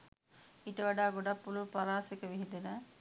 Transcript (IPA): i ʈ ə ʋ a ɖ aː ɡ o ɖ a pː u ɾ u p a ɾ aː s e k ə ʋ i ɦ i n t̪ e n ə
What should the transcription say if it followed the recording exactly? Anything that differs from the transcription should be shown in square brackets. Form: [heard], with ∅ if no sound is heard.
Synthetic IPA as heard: i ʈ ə ʋ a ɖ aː ɡ o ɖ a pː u [l] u p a ɾ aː s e k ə ʋ i ɦ i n [d̪] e n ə